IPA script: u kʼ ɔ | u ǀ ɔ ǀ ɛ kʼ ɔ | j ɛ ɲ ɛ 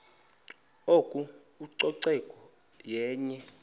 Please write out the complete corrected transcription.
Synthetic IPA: o kʼ u | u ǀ ɔ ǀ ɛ kʼ ɔ | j ɛː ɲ ɛ